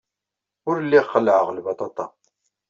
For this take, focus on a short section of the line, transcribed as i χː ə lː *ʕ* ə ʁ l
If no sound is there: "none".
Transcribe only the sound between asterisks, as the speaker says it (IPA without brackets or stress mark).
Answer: ʕ